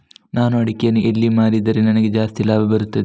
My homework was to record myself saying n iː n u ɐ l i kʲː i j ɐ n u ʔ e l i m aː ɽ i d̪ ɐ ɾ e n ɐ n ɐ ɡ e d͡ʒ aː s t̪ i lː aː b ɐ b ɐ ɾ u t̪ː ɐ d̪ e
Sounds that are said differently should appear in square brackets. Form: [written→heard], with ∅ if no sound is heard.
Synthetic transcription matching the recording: n [iː→aː] n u ɐ [l→ɽ] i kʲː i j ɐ n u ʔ e [l→lː] i m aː [ɽ→ɾ] i d̪ ɐ ɾ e n ɐ n ɐ ɡ e d͡ʒ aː s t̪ i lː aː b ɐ b ɐ ɾ u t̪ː ɐ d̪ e